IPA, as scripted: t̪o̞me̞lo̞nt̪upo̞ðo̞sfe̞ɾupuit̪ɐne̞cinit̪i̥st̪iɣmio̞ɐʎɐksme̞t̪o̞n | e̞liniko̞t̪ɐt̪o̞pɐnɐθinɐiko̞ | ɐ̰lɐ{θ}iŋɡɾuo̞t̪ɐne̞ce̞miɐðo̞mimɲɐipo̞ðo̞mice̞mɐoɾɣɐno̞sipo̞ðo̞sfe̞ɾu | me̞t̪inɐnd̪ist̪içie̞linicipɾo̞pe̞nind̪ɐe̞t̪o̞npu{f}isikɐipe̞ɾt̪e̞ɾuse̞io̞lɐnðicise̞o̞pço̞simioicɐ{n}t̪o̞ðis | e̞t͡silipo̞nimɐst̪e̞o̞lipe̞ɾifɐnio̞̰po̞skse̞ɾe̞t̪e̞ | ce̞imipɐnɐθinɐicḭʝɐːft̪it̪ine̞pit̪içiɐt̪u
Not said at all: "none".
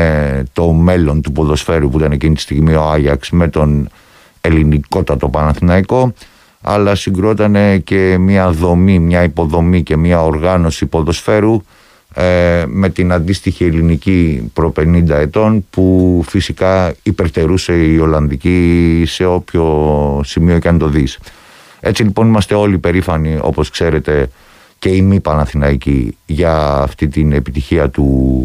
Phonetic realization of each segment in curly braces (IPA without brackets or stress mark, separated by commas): s, f, n